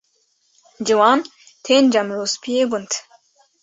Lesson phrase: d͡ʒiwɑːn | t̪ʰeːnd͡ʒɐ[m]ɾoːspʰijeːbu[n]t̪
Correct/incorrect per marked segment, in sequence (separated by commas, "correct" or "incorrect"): correct, correct